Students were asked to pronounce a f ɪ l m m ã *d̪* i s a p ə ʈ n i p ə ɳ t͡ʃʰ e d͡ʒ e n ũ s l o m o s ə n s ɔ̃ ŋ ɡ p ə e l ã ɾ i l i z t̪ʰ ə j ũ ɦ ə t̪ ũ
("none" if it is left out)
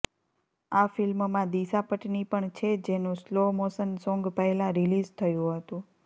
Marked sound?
d̪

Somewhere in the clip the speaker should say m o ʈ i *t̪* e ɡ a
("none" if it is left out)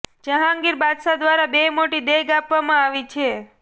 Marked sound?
d̪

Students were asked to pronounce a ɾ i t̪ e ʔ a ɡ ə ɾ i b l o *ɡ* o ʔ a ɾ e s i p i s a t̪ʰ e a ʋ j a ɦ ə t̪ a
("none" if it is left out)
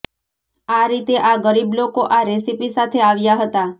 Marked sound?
k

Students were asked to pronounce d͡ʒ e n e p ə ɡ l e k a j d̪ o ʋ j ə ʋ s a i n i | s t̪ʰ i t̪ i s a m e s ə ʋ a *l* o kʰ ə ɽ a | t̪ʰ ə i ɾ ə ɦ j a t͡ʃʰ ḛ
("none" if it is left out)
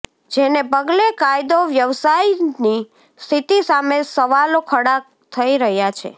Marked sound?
l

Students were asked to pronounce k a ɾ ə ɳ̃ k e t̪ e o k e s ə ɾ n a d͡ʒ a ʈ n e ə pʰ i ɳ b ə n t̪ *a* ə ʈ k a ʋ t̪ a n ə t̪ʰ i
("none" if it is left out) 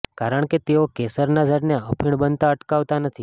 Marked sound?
a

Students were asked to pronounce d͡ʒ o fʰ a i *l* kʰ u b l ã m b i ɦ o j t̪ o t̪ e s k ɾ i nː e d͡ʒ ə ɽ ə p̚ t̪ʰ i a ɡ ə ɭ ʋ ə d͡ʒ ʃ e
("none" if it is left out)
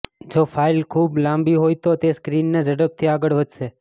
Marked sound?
l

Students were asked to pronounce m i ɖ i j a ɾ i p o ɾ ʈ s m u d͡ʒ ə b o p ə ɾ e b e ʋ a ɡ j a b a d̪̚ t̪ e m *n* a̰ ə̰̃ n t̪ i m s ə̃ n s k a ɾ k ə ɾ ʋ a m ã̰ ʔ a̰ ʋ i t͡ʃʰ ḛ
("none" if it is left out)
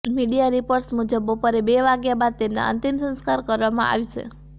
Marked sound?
n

